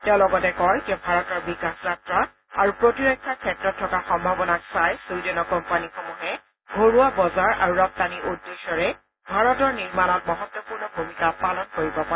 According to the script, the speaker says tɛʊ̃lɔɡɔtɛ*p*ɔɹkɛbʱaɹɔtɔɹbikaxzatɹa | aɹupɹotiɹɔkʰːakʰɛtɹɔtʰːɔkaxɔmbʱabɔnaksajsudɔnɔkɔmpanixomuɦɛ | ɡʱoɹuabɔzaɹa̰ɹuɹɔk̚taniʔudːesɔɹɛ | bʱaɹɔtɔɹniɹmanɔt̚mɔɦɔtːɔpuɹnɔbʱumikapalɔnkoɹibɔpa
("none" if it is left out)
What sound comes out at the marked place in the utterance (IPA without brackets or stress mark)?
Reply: k